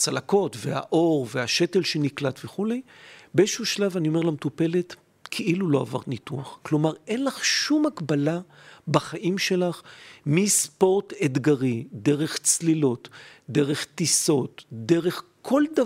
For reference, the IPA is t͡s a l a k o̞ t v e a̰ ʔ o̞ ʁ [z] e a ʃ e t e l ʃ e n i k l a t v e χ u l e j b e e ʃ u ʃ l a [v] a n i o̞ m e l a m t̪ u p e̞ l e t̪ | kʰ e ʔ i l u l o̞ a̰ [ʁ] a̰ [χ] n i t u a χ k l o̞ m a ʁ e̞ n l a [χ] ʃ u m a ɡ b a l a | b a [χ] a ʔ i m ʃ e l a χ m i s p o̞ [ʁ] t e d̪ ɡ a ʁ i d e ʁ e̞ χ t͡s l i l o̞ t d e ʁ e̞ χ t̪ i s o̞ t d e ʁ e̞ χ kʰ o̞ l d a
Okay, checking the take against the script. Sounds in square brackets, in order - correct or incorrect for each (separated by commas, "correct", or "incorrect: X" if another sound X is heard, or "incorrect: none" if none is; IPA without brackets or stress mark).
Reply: incorrect: v, correct, incorrect: v, incorrect: ʁ, correct, correct, correct